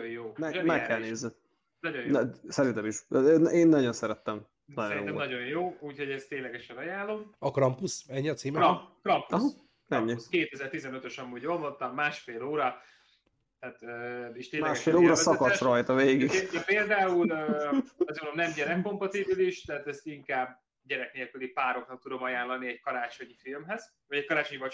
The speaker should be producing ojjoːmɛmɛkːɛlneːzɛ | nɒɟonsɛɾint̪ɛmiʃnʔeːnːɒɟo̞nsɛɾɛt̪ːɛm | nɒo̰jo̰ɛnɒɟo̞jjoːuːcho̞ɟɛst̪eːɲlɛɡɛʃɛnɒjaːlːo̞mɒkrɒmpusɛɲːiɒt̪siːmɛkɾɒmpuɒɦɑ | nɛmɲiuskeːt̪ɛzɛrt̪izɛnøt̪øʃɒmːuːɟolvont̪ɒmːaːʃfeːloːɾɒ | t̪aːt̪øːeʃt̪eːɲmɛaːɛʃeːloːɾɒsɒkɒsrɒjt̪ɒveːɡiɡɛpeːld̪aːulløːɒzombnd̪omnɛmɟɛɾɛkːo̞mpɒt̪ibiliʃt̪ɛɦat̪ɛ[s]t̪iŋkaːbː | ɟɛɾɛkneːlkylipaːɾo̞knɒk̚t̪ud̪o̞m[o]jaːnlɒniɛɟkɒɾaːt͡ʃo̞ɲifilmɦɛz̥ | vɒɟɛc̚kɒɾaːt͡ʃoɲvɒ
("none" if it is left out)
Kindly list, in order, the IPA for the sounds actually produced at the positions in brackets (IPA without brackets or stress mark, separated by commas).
s, ɒ